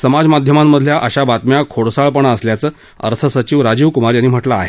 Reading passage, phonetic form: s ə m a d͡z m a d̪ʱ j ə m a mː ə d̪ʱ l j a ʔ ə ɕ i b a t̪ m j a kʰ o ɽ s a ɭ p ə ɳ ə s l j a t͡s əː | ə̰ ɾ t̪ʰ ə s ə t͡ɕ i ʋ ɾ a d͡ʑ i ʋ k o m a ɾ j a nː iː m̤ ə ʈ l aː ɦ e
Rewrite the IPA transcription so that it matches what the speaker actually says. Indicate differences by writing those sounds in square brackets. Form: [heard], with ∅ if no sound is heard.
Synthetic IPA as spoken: s ə m a d͡z m a d̪ʱ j ə m a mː ə d̪ʱ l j a ʔ ə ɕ [a] b a t̪ m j a kʰ o ɽ s a ɭ p ə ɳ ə s l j a t͡s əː | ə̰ ɾ t̪ʰ ə s ə t͡ɕ i ʋ ɾ a d͡ʑ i ʋ k [u] m a ɾ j a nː iː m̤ ə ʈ l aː ɦ e